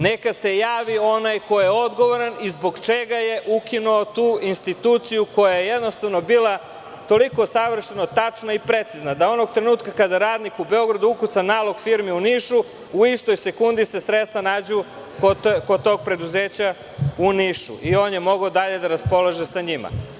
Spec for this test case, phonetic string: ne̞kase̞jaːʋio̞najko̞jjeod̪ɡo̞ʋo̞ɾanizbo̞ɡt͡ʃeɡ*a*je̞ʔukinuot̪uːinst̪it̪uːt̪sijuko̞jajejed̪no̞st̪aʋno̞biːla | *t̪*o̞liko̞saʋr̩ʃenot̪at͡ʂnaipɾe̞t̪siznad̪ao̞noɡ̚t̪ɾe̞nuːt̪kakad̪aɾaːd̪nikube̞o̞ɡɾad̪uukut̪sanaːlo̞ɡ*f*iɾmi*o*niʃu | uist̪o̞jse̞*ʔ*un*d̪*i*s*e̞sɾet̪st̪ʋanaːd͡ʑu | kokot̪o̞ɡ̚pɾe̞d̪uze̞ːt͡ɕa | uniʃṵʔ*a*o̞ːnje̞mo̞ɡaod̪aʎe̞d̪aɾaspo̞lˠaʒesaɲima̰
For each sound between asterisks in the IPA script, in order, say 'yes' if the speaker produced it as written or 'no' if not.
yes, yes, yes, no, no, yes, yes, no

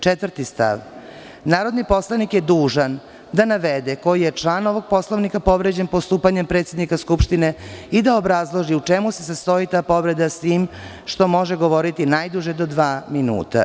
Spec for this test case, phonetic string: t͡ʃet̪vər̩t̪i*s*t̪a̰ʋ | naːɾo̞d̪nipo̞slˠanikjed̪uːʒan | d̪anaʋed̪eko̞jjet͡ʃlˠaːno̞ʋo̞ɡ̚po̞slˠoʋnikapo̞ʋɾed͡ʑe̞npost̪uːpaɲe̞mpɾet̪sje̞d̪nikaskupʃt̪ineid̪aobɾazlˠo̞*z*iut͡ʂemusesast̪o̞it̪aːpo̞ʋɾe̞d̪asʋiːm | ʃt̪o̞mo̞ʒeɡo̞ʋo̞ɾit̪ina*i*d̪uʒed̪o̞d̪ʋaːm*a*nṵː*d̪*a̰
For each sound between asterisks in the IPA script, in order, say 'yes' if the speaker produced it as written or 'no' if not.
yes, no, no, no, no

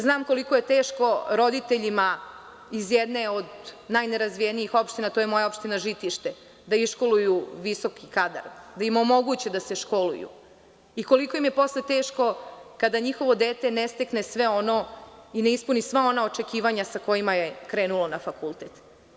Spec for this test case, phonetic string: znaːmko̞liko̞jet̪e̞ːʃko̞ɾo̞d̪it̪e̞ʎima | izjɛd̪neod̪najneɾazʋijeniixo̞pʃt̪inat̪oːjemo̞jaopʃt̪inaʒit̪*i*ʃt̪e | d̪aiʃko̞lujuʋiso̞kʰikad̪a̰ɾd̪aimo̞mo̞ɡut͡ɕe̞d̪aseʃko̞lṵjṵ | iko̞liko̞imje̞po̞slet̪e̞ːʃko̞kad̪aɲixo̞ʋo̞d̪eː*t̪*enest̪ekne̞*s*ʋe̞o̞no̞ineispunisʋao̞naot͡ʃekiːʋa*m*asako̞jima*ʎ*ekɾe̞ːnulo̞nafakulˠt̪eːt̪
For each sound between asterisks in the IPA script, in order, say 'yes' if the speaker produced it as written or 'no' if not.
yes, yes, yes, no, no

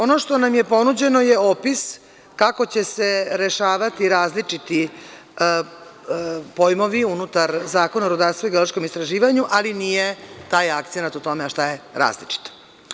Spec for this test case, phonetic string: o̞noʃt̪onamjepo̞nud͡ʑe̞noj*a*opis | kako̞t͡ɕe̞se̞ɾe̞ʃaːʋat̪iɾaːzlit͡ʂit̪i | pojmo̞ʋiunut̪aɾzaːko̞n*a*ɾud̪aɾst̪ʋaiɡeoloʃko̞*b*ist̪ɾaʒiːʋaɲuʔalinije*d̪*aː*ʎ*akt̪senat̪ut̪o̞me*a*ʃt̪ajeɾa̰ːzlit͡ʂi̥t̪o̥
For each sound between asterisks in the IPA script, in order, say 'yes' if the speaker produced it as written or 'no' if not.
no, yes, no, no, no, yes

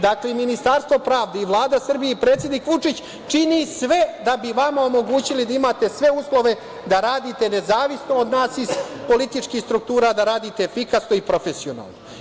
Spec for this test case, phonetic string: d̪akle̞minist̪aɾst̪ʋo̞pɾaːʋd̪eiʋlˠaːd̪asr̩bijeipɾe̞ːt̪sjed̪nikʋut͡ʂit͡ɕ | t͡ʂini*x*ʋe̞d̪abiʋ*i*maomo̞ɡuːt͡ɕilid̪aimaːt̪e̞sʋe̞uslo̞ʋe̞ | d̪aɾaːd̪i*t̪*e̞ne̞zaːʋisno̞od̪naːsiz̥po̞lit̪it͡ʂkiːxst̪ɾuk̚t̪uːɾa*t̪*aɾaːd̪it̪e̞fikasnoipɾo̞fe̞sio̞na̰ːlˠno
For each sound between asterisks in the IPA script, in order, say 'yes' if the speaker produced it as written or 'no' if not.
no, no, yes, no

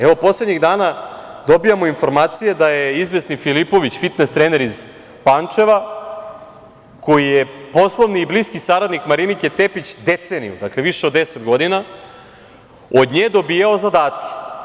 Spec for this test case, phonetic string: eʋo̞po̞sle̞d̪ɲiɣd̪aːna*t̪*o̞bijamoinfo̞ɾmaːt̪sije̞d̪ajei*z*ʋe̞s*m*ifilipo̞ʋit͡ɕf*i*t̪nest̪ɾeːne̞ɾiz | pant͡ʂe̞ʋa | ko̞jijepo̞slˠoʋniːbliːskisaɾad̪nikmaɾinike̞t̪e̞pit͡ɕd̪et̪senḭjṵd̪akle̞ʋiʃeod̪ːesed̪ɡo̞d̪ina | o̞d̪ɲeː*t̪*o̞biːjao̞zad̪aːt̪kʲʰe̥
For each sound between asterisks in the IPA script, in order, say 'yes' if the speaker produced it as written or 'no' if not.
no, yes, no, yes, no

